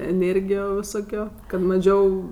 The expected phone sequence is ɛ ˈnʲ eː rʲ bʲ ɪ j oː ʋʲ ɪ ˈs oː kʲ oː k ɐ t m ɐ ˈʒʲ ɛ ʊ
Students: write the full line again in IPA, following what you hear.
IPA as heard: ɛ ˈnʲ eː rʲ ɡʲ ɪ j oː ʋʲ ɪ ˈs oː kʲ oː k ɐ t m ɐ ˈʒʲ ɛ ʊ